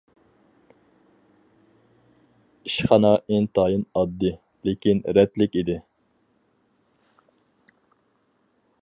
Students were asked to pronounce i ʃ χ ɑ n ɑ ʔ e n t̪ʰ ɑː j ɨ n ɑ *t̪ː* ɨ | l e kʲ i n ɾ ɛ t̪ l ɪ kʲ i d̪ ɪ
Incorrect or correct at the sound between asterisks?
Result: incorrect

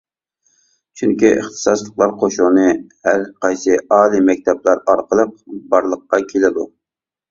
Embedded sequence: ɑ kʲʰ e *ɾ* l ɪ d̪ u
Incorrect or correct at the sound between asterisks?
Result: incorrect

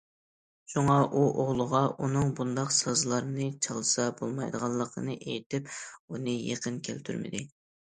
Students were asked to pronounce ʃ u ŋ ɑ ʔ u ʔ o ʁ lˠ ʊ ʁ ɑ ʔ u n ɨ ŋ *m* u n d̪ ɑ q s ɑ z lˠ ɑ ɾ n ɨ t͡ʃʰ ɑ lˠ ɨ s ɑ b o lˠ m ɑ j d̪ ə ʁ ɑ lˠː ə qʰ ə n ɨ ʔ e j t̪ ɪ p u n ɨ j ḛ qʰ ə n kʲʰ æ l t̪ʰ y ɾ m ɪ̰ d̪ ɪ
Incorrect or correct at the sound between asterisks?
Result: incorrect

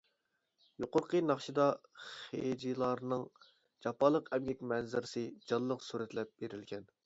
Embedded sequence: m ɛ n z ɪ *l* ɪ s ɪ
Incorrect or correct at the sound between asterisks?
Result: incorrect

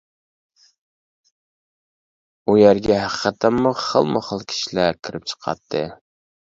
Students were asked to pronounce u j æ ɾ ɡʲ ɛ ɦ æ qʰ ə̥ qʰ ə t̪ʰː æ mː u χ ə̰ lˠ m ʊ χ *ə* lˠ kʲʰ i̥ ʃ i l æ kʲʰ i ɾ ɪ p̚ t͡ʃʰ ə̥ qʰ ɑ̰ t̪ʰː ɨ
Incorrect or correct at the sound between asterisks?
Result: correct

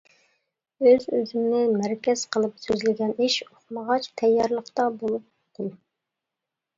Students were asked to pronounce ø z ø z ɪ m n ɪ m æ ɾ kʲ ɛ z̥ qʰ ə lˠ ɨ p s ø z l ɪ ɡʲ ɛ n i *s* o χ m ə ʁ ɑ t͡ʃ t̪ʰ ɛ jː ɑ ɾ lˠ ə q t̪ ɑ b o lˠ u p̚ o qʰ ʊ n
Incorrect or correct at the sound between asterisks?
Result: incorrect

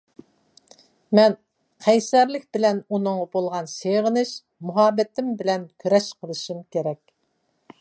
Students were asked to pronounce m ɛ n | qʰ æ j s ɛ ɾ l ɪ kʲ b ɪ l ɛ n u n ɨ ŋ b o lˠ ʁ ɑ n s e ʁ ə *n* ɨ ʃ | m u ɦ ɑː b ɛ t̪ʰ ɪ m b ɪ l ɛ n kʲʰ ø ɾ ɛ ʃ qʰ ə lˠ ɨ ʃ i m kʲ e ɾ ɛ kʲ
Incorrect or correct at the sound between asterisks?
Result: correct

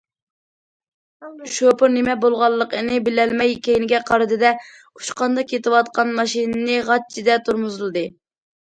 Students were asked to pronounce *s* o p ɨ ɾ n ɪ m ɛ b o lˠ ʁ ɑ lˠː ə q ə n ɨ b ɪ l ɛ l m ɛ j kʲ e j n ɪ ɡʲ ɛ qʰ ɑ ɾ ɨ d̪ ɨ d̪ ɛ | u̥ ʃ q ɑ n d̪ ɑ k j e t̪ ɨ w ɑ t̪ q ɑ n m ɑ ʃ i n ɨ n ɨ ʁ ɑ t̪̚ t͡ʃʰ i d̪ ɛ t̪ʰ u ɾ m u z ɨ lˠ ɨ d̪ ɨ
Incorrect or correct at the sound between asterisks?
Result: incorrect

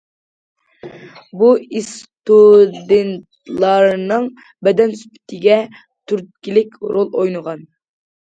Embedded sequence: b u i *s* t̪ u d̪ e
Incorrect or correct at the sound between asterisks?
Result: correct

